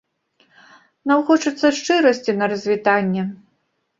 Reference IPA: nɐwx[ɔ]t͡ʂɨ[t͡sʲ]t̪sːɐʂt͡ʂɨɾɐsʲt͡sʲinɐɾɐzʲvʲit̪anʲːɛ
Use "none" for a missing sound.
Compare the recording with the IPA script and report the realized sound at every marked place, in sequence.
ɔ, none

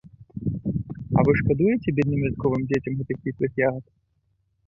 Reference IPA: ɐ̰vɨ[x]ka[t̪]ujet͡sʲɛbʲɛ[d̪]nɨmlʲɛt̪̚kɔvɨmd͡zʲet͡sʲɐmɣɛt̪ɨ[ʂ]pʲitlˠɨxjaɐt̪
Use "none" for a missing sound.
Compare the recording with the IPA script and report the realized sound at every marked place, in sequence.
ʂ, d̪, d̪, x

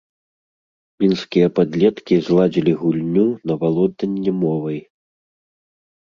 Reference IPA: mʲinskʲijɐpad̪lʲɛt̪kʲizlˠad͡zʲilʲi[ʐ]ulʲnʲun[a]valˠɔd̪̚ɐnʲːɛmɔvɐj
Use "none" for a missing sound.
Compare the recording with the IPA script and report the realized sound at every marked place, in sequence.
ɣ, ɐ

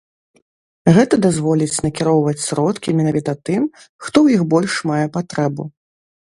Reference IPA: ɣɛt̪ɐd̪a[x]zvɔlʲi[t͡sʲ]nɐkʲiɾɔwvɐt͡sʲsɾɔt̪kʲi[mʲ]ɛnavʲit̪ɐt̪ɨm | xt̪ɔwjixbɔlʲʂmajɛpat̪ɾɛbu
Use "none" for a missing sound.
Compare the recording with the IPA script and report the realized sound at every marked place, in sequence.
none, t͡sʲ, mʲ

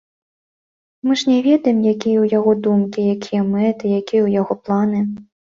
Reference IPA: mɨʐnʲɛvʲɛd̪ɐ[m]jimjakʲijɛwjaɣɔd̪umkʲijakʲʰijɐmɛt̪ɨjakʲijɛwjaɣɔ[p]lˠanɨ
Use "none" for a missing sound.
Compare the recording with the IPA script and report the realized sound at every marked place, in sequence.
none, p

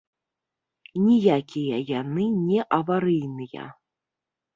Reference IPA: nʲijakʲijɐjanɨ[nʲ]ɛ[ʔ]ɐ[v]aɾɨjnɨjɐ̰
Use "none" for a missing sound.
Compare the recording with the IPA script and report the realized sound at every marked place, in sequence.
nʲ, ʔ, v

